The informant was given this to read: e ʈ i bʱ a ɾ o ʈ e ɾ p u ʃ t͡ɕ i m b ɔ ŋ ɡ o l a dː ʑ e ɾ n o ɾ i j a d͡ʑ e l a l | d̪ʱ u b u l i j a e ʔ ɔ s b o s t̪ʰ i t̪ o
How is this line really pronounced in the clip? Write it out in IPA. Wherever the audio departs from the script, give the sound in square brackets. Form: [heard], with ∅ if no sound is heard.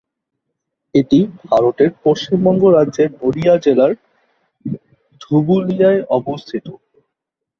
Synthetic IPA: e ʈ i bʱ a ɾ o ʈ e ɾ p [o] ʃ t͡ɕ i m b ɔ ŋ ɡ o [ɾ] a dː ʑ e ɾ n o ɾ i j a d͡ʑ e l a [ɾ] | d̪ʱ u b u l i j a e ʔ ɔ [∅] b o s t̪ʰ i t̪ o